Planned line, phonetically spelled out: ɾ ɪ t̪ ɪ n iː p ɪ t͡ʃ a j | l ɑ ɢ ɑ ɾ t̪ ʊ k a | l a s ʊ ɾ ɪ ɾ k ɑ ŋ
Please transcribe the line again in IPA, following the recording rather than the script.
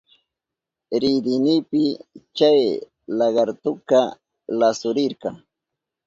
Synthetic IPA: ɾ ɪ d̪ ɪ n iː p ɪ t͡ʃ a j | l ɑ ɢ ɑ ɾ t̪ ʊ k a | l a s ʊ ɾ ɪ ɾ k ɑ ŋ